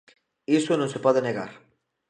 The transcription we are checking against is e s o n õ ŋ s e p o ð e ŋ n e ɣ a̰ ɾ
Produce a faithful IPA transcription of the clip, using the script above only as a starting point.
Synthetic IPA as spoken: i s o n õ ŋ s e p ɔ ð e n e ɣ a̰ ɾ

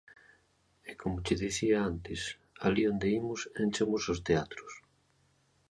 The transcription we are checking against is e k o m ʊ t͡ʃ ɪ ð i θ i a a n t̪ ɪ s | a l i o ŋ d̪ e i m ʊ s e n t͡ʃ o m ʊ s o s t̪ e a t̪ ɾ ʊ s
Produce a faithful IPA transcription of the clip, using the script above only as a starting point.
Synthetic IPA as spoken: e k o m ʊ t͡ʃ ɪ ð i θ i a a n t̪ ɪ s | a l i o n d̪ e i m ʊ s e n t͡ʃ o m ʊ s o s t̪ e a t̪ ɾ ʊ s

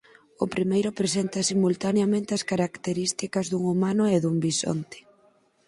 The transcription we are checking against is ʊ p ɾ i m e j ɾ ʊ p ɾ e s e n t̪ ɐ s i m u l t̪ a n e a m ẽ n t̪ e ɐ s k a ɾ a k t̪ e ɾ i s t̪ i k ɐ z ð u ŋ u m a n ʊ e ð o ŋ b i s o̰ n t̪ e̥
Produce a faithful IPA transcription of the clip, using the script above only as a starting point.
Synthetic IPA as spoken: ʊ p ɾ i m e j ɾ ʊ p ɾ e s e n t̪ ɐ s i m u l t̪ a n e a m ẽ n t̪ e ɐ s k a ɾ a k t̪ e ɾ i s t̪ i k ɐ z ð u ŋ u m a n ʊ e ð u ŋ b i s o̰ n t̪ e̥

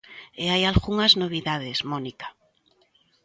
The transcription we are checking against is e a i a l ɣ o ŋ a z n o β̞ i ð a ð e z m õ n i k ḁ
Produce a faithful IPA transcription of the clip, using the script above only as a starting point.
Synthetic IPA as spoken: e a j a l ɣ u ŋ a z n o β̞ i ð a ð e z m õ n i k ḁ

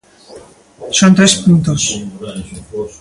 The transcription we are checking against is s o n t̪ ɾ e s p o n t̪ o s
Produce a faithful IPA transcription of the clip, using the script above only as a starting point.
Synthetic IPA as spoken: s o n t̪ ɾ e s p u n t̪ o s

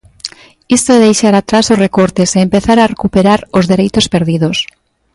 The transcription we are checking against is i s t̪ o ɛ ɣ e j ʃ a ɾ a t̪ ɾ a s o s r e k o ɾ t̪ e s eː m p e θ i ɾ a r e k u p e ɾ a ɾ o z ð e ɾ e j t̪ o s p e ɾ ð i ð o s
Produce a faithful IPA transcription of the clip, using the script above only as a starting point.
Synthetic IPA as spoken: i s t̪ o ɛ ð e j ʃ a ɾ a t̪ ɾ a s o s r e k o ɾ t̪ e s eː m p e θ a ɾ a r e k u p e ɾ a ɾ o z ð e ɾ e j t̪ o s p e ɾ ð i ð o s

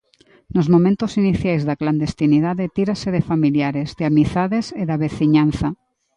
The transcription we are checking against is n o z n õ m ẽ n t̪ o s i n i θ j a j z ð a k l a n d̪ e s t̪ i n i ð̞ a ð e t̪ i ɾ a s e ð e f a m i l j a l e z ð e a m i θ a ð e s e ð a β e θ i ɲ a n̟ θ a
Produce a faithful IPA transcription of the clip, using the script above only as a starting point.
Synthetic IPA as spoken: n o z m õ m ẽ n t̪ o s i n i θ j a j z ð a k l a n d̪ e s t̪ i n i ð̞ a ð e t̪ i ɾ a s e ð e f a m i l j a ɾ e z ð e a m i θ a ð e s e ð a β e θ i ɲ a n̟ θ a

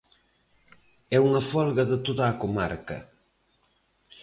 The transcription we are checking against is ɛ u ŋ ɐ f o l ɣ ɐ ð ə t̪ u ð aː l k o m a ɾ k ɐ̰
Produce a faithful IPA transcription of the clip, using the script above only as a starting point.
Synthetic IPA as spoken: ɛ u ŋ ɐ f ɔ l ɣ ɐ ð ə t̪ o ð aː k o m a ɾ k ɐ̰

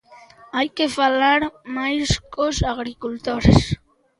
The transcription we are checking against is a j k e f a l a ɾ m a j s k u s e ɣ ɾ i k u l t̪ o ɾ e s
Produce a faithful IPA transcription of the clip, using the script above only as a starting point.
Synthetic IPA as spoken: a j k e f a l a ɾ m a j s k o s a ɣ ɾ i k u l t̪ o ɾ e s

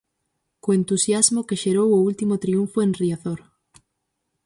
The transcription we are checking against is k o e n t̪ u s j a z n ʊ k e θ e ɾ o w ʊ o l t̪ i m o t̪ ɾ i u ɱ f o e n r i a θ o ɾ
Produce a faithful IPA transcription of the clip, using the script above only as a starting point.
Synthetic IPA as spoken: k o e n t̪ u s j a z m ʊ k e ʃ e ɾ o w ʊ u l t̪ i m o t̪ ɾ i u ɱ f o e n r i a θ o ɾ

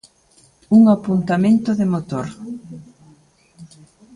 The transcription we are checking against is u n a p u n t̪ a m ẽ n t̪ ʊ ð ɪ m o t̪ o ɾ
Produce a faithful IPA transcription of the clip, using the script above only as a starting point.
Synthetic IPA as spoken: u ŋ a p u n t̪ a m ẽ n t̪ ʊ ð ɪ m o t̪ o ɾ

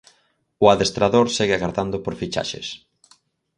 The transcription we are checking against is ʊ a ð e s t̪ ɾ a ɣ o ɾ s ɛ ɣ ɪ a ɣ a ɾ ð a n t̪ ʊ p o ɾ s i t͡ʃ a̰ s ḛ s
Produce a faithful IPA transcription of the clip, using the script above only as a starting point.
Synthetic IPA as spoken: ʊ a ð e s t̪ ɾ a ð o ɾ s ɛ ɣ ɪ a ɣ a ɾ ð a n d̪ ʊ p o ɾ f i t͡ʃ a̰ ʃ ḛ s

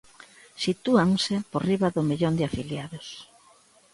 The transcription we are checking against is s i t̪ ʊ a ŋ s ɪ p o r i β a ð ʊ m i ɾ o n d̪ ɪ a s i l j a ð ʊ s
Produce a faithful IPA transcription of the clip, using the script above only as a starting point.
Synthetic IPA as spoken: s i t̪ u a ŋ s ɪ p o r i β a ð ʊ m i ʎ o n d̪ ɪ a f i l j a ð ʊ s

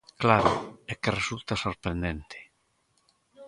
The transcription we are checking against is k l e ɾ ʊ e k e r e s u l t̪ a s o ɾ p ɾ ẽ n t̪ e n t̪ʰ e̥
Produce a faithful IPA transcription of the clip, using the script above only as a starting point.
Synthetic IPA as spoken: k l a ɾ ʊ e k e r e s u l t̪ a s o ɾ p ɾ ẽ n d̪ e n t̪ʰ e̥

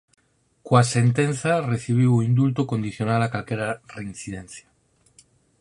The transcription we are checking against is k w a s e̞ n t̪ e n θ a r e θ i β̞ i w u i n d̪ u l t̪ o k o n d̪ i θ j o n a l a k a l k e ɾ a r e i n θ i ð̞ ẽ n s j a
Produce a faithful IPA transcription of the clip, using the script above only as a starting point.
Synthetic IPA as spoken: k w a s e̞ n t̪ e n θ a r e θ i β̞ i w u i n d̪ u l t̪ o k o n d̪ i θ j o n a l a k a l k e ɾ a r e i n θ i ð̞ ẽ n θ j a

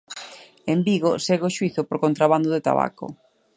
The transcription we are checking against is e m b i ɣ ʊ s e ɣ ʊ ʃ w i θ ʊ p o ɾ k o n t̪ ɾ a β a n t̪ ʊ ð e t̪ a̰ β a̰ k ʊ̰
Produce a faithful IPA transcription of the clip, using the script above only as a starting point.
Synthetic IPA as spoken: e m b i ɣ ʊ s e ɣ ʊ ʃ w i θ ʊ p o ɾ k o n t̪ ɾ a β a n d̪ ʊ ð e t̪ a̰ β a̰ k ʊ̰

